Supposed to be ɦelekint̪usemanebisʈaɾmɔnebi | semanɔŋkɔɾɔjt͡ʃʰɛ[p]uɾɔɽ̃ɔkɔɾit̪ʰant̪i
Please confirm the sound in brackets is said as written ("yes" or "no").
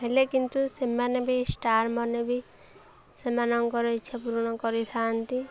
yes